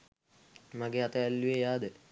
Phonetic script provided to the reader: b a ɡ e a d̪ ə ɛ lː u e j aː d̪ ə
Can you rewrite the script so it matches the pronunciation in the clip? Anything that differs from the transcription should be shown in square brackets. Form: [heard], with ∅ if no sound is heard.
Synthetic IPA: [m] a ɡ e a [t̪] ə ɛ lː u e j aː d̪ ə